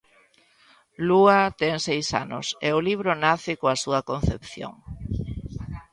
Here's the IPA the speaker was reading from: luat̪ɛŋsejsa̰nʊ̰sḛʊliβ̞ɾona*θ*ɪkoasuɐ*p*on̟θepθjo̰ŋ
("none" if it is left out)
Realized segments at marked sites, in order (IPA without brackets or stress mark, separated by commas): θ, k